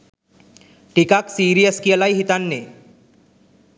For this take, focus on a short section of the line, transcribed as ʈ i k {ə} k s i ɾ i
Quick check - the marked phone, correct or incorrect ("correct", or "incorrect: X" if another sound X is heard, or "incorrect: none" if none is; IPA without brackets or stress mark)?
incorrect: a